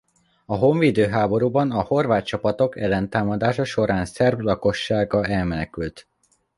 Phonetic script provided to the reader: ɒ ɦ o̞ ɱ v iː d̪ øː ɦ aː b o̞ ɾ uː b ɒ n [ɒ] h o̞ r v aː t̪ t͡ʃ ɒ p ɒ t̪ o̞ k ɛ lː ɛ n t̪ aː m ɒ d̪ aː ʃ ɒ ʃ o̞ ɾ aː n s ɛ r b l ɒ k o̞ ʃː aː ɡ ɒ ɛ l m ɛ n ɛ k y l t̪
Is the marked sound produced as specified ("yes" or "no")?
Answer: yes